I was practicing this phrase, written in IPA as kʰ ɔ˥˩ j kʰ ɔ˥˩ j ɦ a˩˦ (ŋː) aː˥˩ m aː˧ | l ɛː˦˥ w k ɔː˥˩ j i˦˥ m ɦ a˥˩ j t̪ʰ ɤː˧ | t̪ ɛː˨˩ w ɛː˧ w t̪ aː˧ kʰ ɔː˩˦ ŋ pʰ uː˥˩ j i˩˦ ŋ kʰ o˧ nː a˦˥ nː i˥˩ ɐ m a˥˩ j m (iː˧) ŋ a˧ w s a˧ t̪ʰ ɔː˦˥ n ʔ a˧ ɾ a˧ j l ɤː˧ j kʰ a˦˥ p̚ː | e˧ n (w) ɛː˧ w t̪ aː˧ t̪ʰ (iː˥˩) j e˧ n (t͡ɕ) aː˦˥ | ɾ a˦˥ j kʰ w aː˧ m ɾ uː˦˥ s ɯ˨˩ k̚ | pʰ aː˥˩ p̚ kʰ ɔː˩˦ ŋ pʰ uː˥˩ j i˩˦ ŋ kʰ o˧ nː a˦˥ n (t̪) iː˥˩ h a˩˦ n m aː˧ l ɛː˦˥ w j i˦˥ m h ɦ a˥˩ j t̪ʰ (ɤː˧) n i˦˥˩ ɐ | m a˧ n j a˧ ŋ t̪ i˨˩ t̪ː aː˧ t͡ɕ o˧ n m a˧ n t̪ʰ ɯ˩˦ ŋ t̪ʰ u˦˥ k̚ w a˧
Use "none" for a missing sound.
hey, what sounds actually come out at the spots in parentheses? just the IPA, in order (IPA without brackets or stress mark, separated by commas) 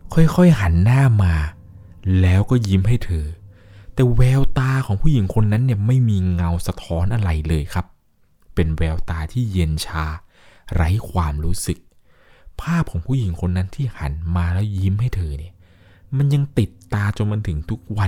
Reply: nː, iː˧, w, iː˥˩, t͡ɕʰ, t̪ʰ, ɤː˧